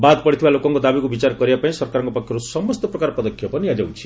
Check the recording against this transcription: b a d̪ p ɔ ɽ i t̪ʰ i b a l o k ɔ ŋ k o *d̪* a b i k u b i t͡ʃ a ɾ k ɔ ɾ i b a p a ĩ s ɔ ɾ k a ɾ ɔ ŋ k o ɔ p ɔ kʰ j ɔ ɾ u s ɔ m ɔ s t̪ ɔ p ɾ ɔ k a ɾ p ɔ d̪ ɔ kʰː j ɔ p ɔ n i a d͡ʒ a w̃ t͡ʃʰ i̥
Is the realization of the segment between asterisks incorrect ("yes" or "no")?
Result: no